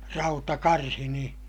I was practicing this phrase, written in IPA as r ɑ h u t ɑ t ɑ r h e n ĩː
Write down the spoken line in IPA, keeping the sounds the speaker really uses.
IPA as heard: r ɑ u t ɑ k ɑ r h i n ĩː